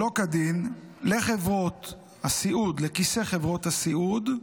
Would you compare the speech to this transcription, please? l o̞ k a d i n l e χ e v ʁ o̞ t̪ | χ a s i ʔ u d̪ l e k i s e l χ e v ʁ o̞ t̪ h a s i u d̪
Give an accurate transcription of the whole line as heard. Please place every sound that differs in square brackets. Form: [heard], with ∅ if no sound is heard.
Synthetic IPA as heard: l o̞ k a d i n l e χ e v ʁ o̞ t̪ | [h] a s i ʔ u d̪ l e k i s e [∅] χ e v ʁ o̞ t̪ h a s i u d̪